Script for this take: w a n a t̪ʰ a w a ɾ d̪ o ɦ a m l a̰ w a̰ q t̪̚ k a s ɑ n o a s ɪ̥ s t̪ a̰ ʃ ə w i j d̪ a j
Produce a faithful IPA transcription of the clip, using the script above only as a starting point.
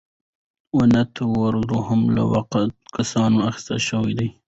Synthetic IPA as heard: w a n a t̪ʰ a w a ɾ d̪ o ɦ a m l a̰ w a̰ q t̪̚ k a s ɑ n o a x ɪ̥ s t̪ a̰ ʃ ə w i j d̪ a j